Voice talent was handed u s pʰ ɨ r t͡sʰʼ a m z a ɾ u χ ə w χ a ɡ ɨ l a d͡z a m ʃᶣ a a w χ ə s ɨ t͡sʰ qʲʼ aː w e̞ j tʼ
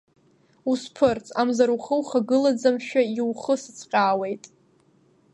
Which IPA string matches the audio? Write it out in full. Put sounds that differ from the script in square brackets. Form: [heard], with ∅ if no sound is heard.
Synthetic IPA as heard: u s pʰ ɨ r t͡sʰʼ a m z a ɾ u χ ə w χ a ɡ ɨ l a d͡z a m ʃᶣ a [i] w χ ə s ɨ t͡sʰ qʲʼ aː w e̞ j tʼ